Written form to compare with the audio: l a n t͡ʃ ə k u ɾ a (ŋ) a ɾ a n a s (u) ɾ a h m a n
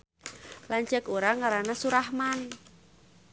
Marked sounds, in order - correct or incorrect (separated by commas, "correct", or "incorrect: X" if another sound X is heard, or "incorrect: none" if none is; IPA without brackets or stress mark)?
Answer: correct, correct